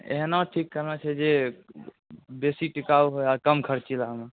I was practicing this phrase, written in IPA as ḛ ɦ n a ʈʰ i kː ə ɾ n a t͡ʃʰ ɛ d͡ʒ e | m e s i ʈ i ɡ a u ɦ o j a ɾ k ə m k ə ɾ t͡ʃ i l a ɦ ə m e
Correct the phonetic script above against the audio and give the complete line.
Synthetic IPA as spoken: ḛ ɦ n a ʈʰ i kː ə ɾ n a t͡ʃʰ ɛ d͡ʒ e | b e s i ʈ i k a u ɦ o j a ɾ k ə m kʰ ə ɾ t͡ʃ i l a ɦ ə m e